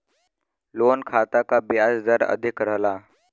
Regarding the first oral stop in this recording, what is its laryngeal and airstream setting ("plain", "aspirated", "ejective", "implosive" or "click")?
aspirated